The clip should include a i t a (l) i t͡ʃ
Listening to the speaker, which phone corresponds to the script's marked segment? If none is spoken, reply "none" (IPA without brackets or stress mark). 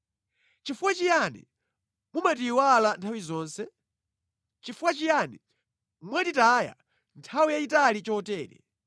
l